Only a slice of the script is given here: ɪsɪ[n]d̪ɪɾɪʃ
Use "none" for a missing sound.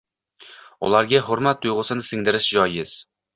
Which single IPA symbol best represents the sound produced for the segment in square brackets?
ŋ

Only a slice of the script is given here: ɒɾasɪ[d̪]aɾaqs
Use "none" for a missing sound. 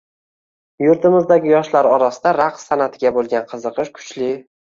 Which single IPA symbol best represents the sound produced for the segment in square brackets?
d̪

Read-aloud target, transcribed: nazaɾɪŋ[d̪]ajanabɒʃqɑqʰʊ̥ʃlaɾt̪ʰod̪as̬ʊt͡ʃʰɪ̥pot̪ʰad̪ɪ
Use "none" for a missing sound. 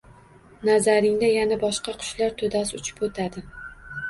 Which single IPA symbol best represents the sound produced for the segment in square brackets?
d̪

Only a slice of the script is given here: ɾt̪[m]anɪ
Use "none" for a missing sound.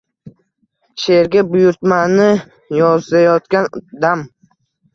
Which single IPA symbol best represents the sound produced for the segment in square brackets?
m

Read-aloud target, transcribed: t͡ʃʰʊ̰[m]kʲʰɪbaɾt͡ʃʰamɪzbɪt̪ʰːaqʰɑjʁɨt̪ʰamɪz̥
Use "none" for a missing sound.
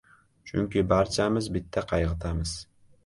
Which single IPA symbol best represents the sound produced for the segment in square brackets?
ŋ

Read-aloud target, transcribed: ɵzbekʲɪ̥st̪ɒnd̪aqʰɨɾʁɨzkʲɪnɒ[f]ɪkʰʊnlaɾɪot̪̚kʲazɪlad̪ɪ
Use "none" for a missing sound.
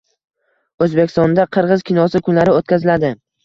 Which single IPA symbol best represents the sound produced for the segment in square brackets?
s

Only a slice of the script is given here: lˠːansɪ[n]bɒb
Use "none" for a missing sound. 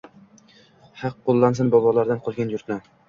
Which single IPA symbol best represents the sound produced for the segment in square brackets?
n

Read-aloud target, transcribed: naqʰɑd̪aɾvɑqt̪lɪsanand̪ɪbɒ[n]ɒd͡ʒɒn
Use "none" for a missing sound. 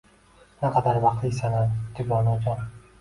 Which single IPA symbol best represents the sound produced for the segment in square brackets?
n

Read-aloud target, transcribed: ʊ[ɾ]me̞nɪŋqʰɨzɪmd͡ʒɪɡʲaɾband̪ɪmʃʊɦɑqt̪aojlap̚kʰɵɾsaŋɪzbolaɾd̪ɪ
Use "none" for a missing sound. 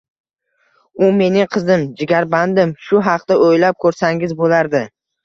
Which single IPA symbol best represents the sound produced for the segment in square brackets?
none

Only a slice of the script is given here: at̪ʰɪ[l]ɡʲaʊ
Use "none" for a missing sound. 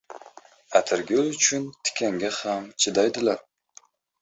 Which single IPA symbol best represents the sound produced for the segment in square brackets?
ɾ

